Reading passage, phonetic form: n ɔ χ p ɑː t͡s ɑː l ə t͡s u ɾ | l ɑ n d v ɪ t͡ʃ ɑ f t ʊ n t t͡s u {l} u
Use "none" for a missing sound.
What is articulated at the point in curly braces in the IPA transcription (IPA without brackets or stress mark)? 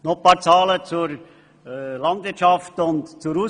ɾ